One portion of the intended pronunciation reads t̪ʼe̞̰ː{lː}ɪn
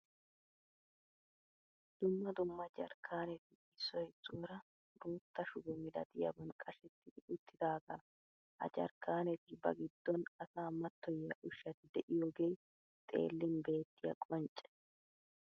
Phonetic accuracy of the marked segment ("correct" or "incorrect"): correct